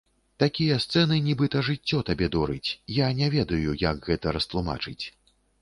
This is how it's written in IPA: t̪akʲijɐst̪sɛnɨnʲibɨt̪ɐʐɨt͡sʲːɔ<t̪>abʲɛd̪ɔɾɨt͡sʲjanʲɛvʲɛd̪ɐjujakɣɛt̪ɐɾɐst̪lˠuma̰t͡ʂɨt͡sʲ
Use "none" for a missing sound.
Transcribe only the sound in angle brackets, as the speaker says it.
t̪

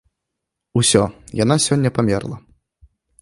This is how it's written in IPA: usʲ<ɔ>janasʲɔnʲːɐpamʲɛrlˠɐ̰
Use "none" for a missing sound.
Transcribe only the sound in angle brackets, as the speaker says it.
ɔ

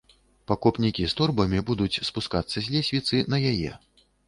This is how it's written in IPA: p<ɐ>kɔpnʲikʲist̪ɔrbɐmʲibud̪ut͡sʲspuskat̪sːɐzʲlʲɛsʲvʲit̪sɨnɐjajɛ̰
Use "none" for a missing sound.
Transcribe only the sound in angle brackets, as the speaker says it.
a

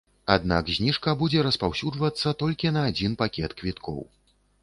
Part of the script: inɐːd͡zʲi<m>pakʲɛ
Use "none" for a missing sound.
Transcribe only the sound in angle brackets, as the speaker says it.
n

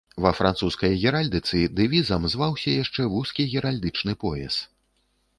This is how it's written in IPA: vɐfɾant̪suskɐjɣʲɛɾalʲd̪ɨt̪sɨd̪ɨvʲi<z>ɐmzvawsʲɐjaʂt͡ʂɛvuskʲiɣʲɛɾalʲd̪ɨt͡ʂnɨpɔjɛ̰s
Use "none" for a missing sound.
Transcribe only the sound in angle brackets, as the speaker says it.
z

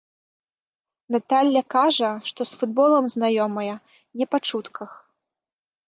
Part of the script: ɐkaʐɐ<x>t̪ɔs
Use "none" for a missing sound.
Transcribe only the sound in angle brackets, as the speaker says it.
ʂ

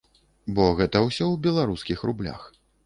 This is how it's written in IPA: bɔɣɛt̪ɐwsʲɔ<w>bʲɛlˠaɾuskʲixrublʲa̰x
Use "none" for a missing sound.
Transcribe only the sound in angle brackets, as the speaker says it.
w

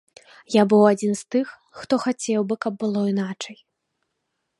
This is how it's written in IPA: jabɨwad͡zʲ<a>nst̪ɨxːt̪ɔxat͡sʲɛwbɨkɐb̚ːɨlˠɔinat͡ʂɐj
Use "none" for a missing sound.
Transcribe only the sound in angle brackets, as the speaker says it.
i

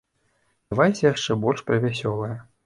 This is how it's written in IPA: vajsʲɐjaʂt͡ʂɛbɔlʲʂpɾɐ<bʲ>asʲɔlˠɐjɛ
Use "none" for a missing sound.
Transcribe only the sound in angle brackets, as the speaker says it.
vʲ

